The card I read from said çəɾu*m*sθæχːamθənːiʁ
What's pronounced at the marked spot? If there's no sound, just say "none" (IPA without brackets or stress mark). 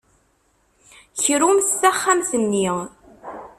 m